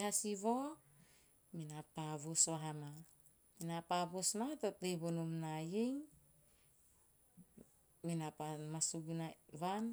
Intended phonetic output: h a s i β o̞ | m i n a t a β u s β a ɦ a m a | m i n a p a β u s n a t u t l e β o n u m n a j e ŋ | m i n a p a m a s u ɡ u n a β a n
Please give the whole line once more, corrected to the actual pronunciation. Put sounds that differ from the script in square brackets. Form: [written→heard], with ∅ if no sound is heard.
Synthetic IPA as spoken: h a s i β o̞ | m i n a [t→p] a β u s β a ɦ a m a | m i n a p a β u s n a t [u→o] t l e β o n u m n a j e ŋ | m i n a p a m a s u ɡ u n a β a n